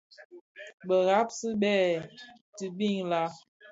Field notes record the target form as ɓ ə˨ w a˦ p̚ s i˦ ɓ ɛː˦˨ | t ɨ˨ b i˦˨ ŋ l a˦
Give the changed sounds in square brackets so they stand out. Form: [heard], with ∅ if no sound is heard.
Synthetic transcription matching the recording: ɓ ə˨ [ɣ] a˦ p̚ s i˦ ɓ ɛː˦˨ | t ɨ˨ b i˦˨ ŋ l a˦